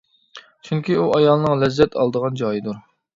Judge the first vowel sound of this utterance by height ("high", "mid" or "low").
high